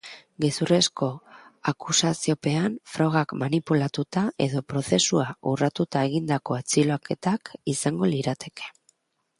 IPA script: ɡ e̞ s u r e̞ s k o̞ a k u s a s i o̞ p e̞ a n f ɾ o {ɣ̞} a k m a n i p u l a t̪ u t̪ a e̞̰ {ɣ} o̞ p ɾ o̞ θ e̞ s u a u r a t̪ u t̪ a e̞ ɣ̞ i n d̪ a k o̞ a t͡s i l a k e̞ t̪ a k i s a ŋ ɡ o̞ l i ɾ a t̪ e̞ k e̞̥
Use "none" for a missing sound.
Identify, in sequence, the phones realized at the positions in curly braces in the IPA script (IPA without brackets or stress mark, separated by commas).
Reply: ɣ̞, ð